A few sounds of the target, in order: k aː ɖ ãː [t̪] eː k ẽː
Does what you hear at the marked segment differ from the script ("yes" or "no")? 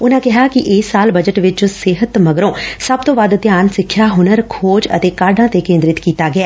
no